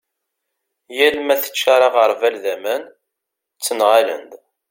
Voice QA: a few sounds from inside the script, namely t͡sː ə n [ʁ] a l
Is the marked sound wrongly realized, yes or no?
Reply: no